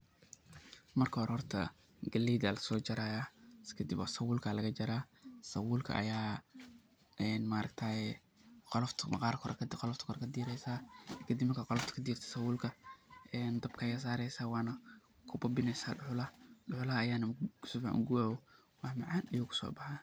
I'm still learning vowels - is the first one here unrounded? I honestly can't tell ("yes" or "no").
yes